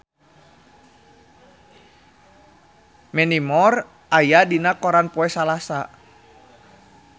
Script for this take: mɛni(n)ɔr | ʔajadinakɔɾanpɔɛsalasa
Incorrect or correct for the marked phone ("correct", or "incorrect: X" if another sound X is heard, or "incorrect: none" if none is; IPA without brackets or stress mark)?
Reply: incorrect: m